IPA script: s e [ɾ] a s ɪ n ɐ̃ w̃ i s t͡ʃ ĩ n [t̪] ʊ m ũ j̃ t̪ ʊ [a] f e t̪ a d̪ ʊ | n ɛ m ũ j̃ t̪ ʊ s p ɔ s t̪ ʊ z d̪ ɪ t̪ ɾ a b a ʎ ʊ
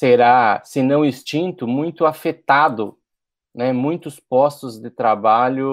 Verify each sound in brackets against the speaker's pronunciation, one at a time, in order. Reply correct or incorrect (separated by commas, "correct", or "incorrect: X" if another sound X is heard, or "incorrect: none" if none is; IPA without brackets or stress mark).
correct, correct, correct